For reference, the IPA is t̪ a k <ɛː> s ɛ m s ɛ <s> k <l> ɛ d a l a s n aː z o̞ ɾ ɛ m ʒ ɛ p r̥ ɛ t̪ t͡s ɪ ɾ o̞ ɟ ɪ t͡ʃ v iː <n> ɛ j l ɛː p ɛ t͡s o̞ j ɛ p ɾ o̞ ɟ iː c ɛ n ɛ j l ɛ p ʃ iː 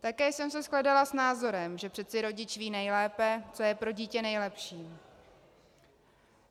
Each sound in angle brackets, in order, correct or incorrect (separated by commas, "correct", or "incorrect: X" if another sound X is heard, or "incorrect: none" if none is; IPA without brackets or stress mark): correct, correct, correct, correct